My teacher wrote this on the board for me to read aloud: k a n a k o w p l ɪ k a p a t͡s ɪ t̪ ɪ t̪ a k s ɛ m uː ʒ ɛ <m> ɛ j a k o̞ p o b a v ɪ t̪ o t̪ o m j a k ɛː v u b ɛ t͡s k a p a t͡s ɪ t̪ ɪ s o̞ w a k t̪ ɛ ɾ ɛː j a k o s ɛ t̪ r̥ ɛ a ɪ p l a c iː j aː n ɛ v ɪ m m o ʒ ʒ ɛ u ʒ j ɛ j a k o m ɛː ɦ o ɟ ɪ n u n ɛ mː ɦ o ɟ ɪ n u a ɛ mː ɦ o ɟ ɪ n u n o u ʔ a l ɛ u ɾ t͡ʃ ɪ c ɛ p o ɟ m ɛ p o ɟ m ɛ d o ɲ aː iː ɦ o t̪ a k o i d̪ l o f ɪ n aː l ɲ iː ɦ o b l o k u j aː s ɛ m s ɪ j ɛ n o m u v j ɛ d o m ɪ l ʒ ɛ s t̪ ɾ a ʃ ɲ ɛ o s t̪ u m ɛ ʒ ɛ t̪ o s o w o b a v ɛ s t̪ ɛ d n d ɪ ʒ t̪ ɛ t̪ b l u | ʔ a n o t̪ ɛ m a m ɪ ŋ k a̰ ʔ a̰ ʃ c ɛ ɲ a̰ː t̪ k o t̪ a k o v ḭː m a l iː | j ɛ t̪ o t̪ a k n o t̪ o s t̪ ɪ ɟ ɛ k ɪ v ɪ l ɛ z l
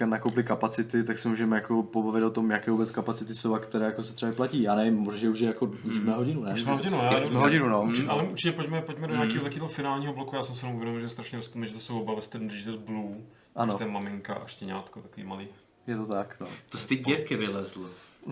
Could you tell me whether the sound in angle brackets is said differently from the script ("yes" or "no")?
no